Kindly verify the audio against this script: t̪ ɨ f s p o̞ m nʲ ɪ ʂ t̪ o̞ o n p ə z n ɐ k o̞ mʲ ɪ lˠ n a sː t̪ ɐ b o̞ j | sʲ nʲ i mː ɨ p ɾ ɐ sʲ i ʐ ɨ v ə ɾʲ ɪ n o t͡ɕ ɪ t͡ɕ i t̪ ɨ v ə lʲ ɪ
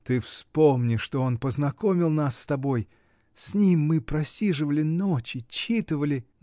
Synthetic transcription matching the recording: t̪ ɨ f s p o̞ m nʲ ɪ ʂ t̪ o̞ o n p ə z n ɐ k o̞ mʲ ɪ lˠ n a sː t̪ ɐ b o̞ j | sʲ nʲ i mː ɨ p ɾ ɐ sʲ i ʐ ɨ v ə lʲ ɪ n o t͡ɕ ɪ t͡ɕ i t̪ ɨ v ə lʲ ɪ